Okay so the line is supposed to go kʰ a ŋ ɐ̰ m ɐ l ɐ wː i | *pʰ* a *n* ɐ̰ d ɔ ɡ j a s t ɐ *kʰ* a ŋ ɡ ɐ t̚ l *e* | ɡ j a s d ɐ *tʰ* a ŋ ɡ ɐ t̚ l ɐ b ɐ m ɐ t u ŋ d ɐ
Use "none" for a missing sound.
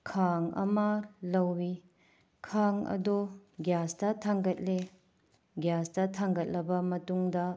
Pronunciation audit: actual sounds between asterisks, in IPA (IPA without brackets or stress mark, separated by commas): kʰ, ŋ, tʰ, e, tʰ